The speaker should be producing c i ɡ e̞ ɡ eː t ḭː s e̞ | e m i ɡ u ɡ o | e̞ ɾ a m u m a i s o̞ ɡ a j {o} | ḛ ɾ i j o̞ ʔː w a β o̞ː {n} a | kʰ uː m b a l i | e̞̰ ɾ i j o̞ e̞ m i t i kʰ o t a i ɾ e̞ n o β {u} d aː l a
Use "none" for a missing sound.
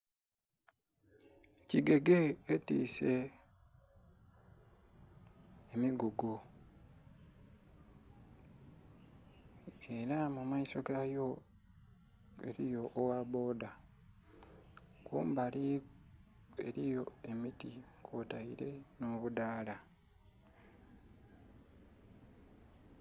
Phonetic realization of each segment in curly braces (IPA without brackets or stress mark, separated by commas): o, d, u